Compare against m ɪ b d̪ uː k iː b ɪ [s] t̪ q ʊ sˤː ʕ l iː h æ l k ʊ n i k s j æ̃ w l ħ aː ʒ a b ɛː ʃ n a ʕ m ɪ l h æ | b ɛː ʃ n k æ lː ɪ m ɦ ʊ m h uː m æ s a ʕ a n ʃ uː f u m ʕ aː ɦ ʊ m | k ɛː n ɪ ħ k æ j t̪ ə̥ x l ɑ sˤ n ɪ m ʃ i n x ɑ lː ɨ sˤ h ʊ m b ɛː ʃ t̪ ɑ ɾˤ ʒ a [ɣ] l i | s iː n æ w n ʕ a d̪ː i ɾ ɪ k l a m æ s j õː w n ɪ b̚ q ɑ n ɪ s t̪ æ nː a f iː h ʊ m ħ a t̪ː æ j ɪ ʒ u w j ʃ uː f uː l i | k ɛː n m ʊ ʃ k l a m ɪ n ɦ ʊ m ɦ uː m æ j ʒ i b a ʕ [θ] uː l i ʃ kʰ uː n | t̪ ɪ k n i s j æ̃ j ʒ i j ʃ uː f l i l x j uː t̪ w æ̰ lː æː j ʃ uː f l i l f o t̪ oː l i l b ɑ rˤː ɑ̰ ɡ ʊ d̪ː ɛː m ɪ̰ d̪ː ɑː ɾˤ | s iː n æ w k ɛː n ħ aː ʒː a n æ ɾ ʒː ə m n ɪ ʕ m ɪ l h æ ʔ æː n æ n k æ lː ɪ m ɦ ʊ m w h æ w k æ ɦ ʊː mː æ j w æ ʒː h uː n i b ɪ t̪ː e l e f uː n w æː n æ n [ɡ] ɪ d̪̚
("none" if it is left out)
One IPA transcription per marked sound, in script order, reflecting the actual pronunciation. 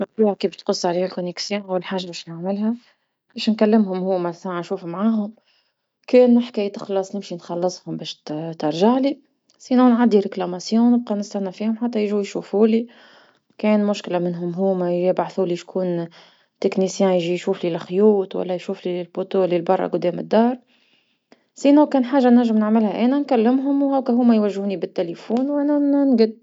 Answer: ʃ, ʕ, θ, ɡ

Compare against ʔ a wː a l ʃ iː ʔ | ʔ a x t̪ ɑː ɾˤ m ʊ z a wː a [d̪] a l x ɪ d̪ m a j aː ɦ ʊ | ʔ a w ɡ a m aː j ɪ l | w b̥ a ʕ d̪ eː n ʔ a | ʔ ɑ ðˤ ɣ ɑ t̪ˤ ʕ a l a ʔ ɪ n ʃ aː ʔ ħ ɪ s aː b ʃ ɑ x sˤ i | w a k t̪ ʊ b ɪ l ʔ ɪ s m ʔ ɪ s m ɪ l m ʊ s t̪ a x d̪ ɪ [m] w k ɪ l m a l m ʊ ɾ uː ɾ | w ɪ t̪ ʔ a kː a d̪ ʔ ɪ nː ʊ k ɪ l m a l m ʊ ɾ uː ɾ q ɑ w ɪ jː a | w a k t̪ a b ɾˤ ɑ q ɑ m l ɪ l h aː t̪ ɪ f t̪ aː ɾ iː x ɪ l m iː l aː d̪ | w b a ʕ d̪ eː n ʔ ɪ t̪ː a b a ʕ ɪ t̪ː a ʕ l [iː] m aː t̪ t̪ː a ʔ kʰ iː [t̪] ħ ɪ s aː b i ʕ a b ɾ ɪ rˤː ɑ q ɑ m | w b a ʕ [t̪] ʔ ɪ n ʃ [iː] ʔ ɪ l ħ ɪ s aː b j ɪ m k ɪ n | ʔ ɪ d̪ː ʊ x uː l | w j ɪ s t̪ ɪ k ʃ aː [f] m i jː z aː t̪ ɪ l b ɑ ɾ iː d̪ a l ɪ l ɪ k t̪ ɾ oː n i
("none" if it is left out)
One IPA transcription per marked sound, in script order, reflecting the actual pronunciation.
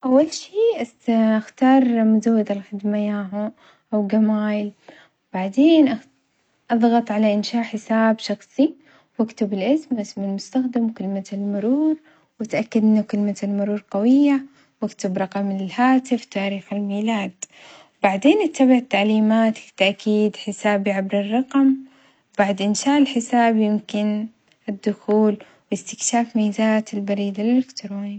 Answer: d̪, m, iː, d̪, d̪, aː, f

